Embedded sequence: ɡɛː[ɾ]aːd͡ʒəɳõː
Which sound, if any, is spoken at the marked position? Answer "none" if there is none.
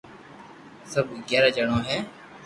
ɾ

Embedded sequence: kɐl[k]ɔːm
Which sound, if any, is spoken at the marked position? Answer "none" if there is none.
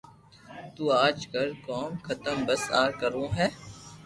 k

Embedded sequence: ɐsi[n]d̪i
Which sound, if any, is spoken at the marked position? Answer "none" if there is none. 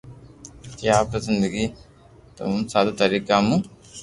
n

